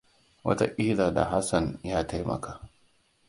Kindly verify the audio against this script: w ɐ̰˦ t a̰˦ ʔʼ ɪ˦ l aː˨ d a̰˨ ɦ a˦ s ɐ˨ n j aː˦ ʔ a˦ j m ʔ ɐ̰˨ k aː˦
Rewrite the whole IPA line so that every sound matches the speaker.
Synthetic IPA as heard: w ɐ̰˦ t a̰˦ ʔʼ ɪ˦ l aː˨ d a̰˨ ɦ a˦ s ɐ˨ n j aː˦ t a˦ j m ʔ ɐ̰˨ k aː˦